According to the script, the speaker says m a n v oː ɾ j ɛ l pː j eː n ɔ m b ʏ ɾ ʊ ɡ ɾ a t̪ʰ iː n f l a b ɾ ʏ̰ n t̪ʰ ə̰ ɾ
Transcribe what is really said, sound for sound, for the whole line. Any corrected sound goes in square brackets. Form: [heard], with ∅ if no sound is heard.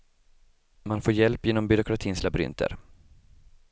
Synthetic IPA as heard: m a n [f] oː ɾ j ɛ l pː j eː n ɔ m b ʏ ɾ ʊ [k] ɾ a t̪ʰ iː n [s] l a b ɾ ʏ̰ n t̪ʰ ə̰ ɾ

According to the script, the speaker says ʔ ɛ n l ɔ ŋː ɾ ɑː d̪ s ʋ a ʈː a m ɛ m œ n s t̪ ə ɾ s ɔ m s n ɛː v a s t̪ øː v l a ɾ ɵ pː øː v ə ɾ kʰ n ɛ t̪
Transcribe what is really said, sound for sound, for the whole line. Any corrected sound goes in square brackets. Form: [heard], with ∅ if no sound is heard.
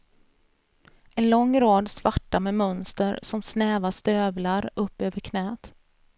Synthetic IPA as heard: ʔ ɛ n l ɔ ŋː ɾ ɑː d̪ s [v] a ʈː a m ɛ m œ n s t̪ ə ɾ s ɔ m s n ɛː v a s t̪ øː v l a ɾ ɵ pː øː v ə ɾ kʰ n [ɛː] t̪

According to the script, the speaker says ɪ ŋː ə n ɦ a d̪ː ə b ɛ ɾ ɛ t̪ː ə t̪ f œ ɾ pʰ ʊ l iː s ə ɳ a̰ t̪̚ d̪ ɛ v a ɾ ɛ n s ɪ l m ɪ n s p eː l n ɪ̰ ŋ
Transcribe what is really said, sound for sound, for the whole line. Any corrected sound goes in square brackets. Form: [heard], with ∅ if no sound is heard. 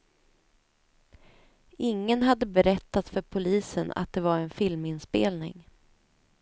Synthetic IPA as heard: ɪ ŋː ə n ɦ a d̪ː ə b ɛ ɾ ɛ t̪ː [a] t̪ f œ ɾ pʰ ʊ l iː s ə [n] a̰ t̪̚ d̪ ɛ v a ɾ ɛ n [f] ɪ l m ɪ n s p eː l n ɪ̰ ŋ

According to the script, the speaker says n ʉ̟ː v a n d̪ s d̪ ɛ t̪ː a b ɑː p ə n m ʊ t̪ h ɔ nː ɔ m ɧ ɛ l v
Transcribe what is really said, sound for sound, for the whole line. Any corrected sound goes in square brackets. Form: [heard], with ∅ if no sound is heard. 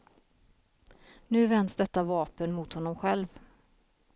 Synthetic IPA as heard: n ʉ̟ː v [ɛ] n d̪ s d̪ ɛ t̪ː a [v] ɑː p ə n m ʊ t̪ h ɔ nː ɔ m ɧ ɛ l v

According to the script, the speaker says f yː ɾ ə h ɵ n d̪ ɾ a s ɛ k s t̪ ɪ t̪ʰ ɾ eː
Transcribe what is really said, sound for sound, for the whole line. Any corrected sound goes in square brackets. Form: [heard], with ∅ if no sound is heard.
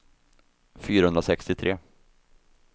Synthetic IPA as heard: f yː ɾ [a] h ɵ n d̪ ɾ a s ɛ k s t̪ ɪ t̪ʰ ɾ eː

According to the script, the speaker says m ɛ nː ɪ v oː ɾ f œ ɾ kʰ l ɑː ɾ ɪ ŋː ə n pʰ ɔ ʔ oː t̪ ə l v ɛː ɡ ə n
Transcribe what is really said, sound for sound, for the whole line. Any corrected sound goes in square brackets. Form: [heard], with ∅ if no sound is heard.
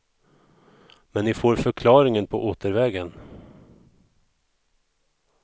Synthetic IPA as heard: m ɛ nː ɪ [f] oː ɾ f œ ɾ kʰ l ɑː ɾ ɪ [ŋ] ə n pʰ ɔ ʔ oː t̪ ə [ɾ] v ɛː ɡ ə n

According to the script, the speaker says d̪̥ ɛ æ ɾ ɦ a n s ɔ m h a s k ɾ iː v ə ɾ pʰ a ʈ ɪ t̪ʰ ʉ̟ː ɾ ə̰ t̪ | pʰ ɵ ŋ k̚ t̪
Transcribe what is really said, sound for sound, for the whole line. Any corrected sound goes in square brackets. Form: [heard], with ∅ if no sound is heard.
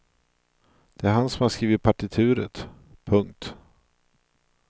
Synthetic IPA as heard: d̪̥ ɛ æ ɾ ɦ a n s ɔ m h a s k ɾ iː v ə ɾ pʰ a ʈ ɪ t̪ʰ ʉ̟ː ɾ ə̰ t̪ | pʰ ɵ ŋ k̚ t̪

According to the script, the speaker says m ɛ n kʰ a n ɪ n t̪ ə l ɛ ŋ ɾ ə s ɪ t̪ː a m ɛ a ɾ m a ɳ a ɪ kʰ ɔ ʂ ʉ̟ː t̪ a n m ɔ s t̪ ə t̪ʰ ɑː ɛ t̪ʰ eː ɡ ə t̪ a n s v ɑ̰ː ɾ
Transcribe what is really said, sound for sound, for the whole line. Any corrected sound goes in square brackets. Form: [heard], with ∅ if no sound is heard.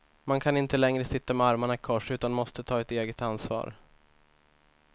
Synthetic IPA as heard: m [a] n kʰ a n ɪ n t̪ ə l ɛ ŋ ɾ ə s ɪ t̪ː a m ɛ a ɾ m a ɳ a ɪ kʰ ɔ ʂ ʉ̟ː t̪ a n m ɔ s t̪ ə t̪ʰ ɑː ɛ [t̪] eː ɡ ə t̪ a n s v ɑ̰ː ɾ

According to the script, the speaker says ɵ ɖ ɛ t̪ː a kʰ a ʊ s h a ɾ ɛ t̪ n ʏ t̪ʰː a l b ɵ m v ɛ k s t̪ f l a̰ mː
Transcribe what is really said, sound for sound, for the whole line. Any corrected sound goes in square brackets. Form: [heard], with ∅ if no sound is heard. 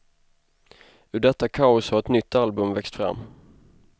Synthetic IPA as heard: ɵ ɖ ɛ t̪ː a kʰ a ʊ s h a ɾ ɛ t̪ n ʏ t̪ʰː a l b ɵ m v ɛ k s t̪ f [ɾ] a̰ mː

